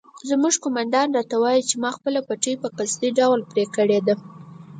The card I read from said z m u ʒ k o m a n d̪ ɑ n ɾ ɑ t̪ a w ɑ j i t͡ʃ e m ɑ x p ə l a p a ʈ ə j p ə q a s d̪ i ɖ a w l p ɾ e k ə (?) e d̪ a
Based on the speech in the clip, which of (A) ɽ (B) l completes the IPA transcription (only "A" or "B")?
A